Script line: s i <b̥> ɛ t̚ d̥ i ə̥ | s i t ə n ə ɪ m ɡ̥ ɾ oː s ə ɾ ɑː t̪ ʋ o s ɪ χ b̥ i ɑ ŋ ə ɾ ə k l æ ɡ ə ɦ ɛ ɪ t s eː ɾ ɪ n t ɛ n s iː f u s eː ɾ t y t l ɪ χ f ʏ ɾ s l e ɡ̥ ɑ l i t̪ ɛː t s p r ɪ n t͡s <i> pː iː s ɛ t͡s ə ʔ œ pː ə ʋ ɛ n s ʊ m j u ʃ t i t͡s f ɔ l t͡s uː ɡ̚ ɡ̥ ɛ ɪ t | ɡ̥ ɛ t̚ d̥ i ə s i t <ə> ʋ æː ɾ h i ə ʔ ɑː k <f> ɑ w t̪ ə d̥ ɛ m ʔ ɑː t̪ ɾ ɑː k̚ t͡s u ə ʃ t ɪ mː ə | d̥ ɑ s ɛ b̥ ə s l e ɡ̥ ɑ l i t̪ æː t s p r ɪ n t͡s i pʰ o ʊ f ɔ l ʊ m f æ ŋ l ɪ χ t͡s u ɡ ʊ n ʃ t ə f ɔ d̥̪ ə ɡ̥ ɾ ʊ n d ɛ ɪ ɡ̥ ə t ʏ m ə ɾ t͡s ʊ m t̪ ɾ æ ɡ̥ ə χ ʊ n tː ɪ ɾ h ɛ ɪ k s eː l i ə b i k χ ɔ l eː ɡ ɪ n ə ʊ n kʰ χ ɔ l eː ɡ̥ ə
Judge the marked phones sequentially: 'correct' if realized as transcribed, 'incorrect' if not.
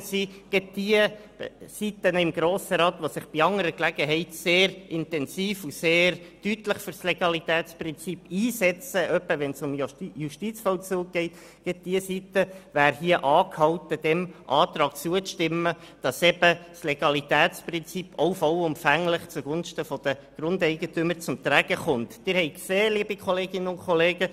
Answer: incorrect: ɡ̥, correct, correct, incorrect: h

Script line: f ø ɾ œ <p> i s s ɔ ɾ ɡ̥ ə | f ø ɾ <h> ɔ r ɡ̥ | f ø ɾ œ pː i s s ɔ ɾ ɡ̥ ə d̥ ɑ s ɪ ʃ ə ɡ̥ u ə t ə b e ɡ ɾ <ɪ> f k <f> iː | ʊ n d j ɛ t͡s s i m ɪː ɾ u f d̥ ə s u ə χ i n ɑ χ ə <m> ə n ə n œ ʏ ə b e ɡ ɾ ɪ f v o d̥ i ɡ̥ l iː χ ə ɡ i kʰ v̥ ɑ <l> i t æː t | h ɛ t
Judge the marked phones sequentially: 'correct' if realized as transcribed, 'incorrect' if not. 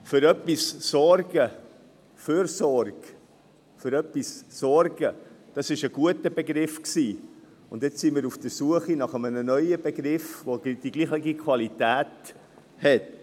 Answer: correct, incorrect: s, correct, incorrect: s, correct, correct

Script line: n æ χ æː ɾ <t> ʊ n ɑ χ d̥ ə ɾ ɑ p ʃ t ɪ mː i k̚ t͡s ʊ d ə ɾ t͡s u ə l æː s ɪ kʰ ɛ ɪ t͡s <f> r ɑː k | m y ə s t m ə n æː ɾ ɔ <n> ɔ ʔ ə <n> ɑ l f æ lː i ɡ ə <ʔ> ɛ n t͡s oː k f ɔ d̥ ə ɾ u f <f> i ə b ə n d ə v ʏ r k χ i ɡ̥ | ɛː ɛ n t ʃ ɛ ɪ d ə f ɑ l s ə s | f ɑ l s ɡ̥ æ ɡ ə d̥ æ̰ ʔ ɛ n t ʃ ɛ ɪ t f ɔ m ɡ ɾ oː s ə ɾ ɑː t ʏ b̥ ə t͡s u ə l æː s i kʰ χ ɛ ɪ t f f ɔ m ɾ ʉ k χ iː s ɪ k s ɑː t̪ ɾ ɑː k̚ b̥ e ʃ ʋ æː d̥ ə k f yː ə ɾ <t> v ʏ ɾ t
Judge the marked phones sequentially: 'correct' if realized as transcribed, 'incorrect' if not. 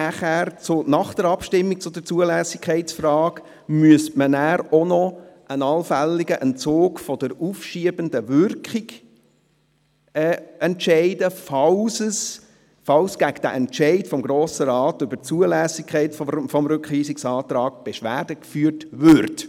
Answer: incorrect: t͡s, correct, correct, correct, correct, incorrect: ʃ, correct

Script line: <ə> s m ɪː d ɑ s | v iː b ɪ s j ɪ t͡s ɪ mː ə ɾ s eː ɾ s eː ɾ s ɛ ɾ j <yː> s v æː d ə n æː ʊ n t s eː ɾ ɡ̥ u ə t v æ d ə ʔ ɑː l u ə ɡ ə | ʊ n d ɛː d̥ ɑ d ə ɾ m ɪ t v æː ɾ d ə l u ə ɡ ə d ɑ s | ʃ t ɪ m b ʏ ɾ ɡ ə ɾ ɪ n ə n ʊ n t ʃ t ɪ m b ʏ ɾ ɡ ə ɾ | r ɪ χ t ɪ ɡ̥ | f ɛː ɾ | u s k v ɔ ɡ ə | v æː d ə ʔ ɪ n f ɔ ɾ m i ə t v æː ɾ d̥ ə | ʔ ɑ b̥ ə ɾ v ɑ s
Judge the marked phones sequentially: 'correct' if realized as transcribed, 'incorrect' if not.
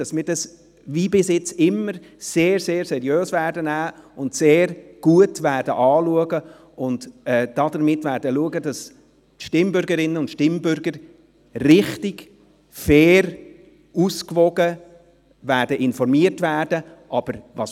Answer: incorrect: ɑ, incorrect: øː

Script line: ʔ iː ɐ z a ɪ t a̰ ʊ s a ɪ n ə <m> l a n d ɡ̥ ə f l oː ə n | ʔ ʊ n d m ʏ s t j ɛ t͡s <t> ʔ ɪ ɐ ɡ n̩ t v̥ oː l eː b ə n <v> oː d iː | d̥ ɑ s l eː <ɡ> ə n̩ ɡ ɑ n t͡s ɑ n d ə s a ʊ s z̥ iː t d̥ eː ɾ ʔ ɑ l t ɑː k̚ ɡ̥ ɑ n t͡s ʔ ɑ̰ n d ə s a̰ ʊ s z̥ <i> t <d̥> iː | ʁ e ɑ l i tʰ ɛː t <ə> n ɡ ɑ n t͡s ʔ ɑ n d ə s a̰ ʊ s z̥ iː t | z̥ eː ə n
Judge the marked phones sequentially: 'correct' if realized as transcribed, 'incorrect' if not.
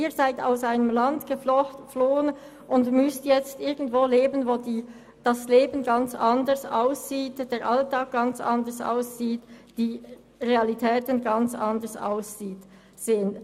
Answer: correct, correct, correct, incorrect: b, incorrect: iː, correct, correct

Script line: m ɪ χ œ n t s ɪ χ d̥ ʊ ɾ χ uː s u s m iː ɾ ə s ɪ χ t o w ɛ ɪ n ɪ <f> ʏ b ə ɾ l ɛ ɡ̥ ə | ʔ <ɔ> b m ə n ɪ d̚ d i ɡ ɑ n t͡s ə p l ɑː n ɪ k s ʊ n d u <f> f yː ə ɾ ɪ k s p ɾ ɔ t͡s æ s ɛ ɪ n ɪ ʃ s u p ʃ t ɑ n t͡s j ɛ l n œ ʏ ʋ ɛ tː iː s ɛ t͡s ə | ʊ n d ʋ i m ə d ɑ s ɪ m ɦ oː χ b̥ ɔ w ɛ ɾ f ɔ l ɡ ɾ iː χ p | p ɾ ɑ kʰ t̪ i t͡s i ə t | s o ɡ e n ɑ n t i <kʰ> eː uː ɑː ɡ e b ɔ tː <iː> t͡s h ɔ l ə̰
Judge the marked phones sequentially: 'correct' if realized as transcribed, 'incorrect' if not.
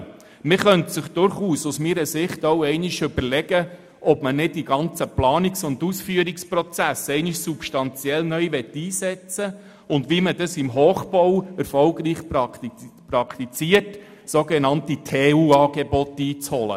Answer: incorrect: ʃ, correct, incorrect: s, incorrect: tʰ, correct

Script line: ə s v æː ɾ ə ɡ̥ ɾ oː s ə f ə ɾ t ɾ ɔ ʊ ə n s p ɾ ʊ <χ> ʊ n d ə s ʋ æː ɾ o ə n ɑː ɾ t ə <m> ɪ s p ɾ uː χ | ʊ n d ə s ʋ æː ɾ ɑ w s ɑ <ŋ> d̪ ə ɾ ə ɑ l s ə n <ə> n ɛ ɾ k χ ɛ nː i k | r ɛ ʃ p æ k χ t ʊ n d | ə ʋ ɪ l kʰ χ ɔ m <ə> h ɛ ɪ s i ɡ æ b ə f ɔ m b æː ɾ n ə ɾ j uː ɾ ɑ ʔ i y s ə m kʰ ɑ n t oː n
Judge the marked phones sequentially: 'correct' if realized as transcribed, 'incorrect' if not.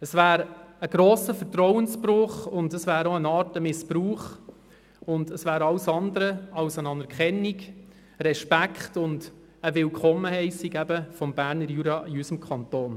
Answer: correct, correct, incorrect: n, incorrect: ɑ, correct

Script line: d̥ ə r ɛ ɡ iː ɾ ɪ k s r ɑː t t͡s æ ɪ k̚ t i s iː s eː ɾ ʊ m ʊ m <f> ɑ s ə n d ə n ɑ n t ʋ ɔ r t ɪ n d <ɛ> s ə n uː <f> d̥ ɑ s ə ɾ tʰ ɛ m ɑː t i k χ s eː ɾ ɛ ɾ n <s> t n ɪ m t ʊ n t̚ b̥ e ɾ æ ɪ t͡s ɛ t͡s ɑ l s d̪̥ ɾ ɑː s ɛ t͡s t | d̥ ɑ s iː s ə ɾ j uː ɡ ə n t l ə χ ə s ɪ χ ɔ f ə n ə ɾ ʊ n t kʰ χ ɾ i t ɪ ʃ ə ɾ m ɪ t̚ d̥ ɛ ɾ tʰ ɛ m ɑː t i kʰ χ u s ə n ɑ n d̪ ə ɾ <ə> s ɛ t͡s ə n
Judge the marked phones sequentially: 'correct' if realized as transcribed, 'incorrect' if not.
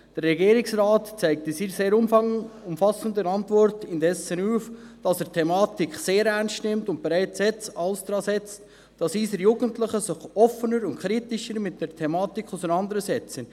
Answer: correct, correct, correct, correct, correct

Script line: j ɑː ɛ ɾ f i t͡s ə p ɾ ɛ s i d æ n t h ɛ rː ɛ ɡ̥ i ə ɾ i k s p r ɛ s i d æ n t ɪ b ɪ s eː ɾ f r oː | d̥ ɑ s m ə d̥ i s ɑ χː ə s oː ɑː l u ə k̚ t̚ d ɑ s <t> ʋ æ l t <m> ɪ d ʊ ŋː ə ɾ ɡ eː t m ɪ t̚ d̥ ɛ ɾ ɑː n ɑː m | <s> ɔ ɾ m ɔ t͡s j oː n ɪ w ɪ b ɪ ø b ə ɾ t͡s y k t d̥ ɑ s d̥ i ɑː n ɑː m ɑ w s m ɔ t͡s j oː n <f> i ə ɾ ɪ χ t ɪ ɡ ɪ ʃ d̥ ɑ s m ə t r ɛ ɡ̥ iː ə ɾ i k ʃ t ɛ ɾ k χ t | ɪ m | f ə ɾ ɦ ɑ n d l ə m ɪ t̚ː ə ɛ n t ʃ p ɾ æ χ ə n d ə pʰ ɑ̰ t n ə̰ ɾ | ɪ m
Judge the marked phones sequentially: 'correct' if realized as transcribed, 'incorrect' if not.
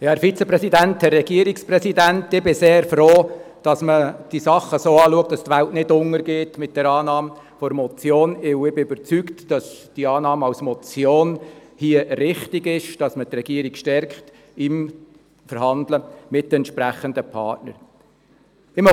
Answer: correct, incorrect: n, incorrect: f, incorrect: h

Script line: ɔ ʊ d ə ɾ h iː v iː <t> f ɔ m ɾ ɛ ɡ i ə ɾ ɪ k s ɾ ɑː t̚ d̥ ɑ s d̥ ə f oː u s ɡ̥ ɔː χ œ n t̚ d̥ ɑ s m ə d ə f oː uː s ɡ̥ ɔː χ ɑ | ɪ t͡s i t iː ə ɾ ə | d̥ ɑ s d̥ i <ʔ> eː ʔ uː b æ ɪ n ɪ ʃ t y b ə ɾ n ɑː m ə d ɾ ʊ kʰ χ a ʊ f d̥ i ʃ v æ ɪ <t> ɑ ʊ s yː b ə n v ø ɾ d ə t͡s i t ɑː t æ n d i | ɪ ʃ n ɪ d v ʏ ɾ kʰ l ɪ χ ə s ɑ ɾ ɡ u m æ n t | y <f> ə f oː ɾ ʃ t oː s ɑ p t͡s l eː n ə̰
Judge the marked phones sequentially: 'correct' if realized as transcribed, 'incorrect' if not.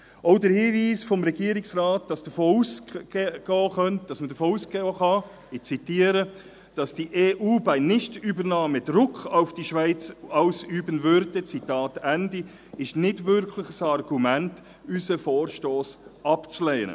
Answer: incorrect: s, correct, incorrect: t͡s, incorrect: s

